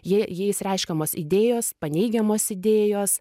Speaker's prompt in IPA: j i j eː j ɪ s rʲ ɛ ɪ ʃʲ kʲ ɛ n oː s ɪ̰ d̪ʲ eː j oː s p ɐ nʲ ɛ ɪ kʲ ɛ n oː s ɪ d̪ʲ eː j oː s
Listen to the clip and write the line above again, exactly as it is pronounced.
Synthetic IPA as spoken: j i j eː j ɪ s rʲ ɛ ɪ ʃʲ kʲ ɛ m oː s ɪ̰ d̪ʲ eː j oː s p ɐ nʲ ɛ ɪ ɡʲ ɛ m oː s ɪ d̪ʲ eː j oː s